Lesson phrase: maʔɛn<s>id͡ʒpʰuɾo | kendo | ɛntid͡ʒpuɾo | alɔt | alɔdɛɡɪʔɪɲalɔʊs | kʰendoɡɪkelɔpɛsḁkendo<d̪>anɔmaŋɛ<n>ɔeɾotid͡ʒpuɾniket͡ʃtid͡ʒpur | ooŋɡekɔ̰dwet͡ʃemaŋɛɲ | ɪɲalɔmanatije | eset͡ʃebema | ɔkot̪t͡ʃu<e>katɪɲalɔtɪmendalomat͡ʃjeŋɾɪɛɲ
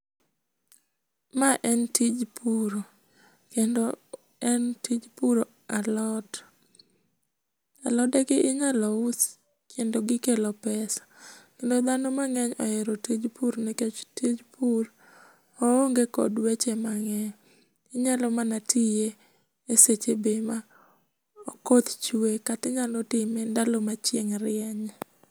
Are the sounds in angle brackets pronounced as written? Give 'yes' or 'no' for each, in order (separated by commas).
no, yes, no, yes